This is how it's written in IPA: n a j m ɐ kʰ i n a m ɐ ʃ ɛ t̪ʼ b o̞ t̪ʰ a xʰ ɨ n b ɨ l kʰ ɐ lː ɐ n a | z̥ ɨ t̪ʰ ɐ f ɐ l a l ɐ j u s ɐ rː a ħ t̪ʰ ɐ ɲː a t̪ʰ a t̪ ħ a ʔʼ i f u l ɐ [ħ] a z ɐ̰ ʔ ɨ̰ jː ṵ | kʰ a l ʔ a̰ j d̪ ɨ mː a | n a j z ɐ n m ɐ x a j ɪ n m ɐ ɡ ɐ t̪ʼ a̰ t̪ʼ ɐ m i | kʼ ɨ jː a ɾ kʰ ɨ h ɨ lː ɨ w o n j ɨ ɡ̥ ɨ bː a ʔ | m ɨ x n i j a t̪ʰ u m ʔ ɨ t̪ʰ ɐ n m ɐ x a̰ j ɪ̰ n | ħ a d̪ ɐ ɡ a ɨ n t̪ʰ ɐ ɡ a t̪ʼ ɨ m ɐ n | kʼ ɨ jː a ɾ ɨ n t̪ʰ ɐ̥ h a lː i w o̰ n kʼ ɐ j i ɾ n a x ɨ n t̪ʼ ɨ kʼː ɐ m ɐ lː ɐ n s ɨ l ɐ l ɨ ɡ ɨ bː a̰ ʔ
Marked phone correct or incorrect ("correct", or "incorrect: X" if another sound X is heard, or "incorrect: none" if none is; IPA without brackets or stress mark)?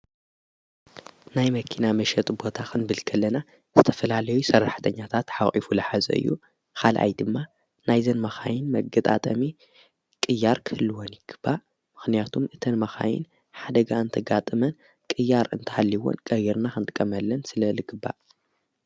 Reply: correct